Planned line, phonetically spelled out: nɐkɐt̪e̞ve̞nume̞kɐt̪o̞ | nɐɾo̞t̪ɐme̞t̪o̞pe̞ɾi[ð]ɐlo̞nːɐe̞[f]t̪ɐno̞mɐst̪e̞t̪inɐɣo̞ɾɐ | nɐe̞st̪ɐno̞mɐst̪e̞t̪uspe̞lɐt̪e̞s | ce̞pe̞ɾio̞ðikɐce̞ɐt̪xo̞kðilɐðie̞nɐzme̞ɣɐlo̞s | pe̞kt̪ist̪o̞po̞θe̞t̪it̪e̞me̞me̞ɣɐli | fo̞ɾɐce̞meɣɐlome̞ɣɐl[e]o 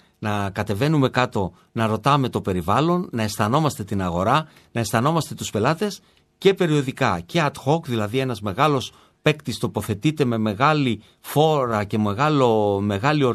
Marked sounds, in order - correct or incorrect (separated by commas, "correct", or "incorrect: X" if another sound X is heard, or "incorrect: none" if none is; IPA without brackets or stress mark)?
incorrect: v, incorrect: s, incorrect: i